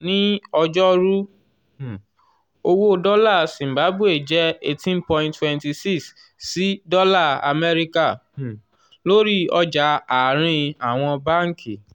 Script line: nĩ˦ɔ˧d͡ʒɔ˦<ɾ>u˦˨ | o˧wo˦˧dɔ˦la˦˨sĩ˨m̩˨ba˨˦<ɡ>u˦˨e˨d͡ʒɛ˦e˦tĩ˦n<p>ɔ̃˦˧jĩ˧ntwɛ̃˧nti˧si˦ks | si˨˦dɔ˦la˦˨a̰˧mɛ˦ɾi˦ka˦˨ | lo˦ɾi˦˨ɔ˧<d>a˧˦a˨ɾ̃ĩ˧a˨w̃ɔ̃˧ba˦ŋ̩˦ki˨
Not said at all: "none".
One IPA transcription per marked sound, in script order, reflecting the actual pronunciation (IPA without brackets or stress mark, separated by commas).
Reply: ɾ, b, p, d͡ʒ